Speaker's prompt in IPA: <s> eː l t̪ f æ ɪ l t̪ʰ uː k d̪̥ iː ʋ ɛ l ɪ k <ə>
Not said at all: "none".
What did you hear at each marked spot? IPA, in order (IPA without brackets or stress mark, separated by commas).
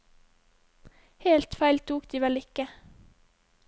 h, ə